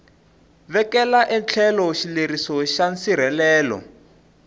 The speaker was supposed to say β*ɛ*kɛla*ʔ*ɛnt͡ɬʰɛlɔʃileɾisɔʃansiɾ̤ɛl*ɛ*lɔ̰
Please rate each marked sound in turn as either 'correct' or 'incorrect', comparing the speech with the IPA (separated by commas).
correct, correct, incorrect